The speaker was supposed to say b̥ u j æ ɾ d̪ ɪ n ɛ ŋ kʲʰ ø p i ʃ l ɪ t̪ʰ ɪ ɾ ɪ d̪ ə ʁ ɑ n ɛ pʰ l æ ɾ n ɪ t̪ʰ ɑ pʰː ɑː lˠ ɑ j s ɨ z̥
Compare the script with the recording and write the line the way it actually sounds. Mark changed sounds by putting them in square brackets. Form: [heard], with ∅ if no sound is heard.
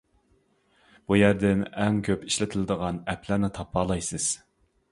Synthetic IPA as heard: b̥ u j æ ɾ d̪ ɪ n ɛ ŋ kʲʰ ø p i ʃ l ɪ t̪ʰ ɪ [l] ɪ d̪ ə ʁ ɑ n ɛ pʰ l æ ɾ n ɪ t̪ʰ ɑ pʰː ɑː lˠ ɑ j s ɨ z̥